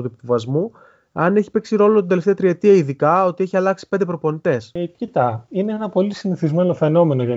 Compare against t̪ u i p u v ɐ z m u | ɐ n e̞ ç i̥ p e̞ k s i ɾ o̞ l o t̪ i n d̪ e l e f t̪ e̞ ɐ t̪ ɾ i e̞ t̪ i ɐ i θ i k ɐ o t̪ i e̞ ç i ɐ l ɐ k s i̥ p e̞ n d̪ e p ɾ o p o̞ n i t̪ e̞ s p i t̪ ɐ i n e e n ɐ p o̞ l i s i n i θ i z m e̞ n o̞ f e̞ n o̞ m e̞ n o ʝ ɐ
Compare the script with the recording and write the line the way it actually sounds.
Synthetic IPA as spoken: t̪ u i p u v ɐ z m u | ɐ n e̞ ç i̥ p e̞ k s i ɾ o̞ l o t̪ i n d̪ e l e f t̪ e̞ ɐ t̪ ɾ i e̞ t̪ i ɐ i ð i k ɐ o t̪ i e̞ ç i ɐ l ɐ k s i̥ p e̞ n d̪ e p ɾ o p o̞ n i t̪ e̞ s c i t̪ ɐ i n e e n ɐ p o̞ l i s i n i θ i z m e̞ n o̞ f e̞ n o̞ m e̞ n o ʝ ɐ